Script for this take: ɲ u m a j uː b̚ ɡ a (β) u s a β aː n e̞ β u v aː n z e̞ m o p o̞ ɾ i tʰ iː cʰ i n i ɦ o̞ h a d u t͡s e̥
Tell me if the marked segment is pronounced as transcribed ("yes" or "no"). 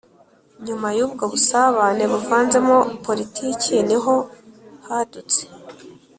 yes